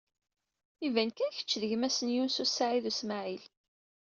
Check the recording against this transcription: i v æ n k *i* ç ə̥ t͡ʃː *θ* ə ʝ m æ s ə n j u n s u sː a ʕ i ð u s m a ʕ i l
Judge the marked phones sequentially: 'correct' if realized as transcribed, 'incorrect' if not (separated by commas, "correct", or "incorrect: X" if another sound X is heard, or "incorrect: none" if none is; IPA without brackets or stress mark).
incorrect: æ, incorrect: ð